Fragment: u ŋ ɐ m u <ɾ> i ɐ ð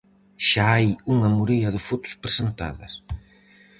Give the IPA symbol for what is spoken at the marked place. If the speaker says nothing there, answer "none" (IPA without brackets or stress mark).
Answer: ɾ